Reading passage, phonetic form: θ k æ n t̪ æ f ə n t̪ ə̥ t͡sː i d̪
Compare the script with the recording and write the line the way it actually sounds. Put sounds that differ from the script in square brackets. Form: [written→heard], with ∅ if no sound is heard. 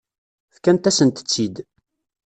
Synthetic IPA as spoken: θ k æ n t̪ æ [f→s] ə n t̪ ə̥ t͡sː i d̪